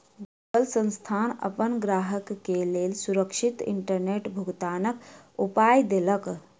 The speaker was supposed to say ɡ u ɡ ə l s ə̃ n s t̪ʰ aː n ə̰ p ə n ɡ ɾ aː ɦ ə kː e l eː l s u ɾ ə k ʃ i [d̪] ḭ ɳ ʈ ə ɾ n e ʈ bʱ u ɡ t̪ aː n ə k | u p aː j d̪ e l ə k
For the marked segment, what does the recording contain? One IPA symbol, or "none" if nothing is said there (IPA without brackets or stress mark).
t̪